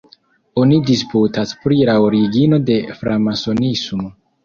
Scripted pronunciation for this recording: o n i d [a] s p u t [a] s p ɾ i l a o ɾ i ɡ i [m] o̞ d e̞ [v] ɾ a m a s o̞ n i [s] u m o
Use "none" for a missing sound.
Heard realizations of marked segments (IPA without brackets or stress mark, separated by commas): i, a, n, f, s